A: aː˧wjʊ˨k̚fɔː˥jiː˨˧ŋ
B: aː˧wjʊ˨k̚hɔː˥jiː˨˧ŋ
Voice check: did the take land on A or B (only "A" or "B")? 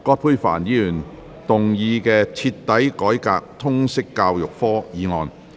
A